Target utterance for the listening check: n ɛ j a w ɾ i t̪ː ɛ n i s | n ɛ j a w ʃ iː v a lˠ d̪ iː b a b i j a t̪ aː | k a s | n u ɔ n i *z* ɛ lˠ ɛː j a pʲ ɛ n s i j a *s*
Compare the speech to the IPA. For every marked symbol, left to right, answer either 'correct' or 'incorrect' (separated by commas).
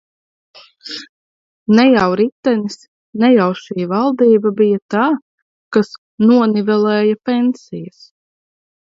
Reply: incorrect, correct